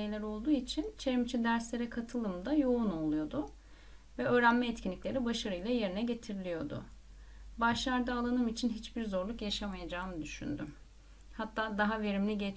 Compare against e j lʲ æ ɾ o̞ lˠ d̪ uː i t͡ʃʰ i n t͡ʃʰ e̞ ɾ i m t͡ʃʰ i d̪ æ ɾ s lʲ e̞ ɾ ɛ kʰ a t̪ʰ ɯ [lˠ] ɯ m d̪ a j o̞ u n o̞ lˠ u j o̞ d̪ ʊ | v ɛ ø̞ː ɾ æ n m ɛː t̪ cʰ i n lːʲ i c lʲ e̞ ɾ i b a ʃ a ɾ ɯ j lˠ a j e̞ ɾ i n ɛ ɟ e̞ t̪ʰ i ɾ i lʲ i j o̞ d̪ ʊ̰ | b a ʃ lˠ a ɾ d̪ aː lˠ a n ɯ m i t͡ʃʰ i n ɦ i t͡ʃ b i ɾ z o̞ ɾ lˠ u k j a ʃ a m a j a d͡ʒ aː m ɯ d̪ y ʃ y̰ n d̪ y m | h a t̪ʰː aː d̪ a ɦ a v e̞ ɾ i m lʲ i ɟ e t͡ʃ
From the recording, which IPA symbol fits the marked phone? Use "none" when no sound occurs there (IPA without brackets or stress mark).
lˠ